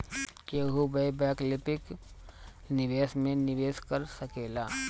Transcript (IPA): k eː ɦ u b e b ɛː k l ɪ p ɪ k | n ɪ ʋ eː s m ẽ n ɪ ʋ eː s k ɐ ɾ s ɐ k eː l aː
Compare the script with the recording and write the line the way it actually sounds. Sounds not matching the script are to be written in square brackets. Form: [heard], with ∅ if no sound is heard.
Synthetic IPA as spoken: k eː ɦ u b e b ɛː k l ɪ p ɪ k | n ɪ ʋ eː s m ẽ n ɪ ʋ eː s k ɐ ɾ s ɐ k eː l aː

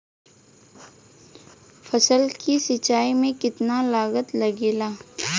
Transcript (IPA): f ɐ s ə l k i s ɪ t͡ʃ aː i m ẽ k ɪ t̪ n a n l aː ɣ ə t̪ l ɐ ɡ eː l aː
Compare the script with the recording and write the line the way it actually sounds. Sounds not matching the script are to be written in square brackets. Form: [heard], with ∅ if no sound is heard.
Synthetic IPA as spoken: f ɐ s ə l k i s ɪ t͡ʃ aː i m ẽ k ɪ t̪ n a [∅] l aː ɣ ə t̪ l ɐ ɡ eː l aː

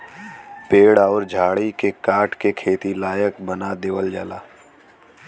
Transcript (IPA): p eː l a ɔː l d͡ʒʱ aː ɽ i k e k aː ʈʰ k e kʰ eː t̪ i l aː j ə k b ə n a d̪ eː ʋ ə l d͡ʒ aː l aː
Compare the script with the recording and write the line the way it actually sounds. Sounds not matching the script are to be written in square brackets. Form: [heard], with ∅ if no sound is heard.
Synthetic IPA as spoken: p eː [ɽ] a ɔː [ɾ] d͡ʒʱ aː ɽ i k e k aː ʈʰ k e kʰ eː t̪ i l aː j ə k b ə n a d̪ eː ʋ ə l d͡ʒ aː l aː

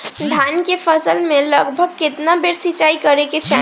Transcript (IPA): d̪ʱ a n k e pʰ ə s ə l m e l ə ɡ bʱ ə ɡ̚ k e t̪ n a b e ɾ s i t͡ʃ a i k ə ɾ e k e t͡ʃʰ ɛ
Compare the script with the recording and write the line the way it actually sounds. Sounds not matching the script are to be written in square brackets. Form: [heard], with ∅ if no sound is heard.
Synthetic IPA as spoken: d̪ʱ a n k e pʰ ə s ə l m e l ə ɡ bʱ ə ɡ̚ k e t̪ n a b e ɾ s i t͡ʃ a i k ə ɾ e k e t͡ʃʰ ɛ

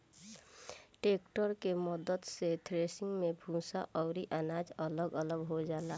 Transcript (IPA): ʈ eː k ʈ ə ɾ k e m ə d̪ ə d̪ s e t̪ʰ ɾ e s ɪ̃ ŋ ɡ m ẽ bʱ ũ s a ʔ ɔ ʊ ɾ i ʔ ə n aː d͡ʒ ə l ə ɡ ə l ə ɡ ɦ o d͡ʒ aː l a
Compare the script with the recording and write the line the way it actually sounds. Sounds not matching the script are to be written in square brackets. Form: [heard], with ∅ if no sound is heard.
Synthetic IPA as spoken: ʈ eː k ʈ ə ɾ k e m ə d̪ ə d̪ s e t̪ʰ ɾ e s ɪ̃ ŋ ɡ m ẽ bʱ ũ s a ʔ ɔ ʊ ɾ i ʔ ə n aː d͡ʒ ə l ə ɡ ə l ə ɡ ɦ o d͡ʒ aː l a

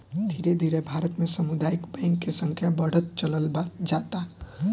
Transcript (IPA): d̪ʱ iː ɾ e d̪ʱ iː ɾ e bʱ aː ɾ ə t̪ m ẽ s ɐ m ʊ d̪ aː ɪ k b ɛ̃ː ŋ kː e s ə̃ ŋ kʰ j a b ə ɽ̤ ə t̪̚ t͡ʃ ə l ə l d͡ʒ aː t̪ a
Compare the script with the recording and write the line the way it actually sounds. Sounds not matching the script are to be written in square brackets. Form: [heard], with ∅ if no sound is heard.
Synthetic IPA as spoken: d̪ʱ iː ɾ e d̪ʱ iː ɾ e bʱ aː ɾ ə t̪ m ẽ s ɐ m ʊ d̪ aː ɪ k b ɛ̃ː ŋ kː e s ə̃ ŋ kʰ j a b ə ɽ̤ ə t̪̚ t͡ʃ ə l ə l d͡ʒ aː t̪ a

